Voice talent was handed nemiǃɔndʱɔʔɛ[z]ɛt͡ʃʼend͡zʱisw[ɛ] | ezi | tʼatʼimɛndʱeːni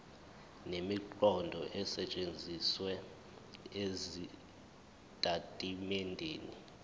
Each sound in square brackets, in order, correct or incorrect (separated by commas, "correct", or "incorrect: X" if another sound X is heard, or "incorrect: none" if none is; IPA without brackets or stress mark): incorrect: s, correct